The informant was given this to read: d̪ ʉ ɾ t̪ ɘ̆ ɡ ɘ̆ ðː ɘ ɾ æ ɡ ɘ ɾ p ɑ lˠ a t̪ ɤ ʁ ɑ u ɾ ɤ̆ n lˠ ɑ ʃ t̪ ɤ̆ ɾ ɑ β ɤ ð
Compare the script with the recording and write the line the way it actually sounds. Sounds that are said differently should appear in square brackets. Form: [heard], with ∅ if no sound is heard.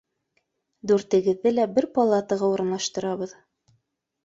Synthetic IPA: d̪ ʉ ɾ t̪ ɘ̆ ɡ ɘ̆ ðː ɘ [l] æ [b] ɘ ɾ p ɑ lˠ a t̪ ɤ ʁ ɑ u ɾ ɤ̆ n lˠ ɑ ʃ t̪ ɤ̆ ɾ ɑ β ɤ ð